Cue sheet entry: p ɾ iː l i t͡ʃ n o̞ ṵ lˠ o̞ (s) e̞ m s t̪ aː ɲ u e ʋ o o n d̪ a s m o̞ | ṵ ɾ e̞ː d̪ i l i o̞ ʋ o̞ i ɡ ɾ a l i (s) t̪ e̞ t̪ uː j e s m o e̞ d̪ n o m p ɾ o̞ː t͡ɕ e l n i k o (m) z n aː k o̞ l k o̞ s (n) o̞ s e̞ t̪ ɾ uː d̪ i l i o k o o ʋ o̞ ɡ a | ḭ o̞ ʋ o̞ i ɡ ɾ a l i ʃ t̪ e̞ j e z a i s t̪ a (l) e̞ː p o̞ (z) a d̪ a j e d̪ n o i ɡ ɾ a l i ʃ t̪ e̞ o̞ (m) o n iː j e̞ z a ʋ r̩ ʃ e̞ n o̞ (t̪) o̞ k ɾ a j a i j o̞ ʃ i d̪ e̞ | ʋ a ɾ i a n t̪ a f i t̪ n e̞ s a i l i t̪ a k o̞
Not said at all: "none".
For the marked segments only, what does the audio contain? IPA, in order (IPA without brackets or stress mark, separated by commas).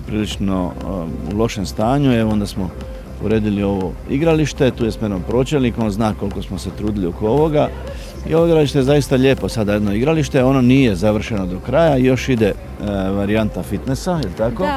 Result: ʃ, ʃ, n, m, ʎ, s, n, d̪